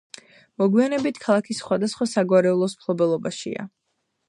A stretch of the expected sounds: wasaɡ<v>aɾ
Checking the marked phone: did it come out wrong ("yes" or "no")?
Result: yes